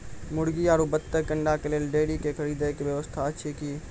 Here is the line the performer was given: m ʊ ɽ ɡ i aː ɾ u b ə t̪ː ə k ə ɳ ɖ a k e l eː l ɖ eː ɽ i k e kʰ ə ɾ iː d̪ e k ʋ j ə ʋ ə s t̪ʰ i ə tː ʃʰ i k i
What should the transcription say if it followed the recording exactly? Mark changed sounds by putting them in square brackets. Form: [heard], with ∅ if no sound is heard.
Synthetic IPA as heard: m ʊ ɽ ɡ i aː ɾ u b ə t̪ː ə k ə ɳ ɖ a k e l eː l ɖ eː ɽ i k e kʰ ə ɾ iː d̪ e k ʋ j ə ʋ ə s t̪ʰ [a] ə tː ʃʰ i k i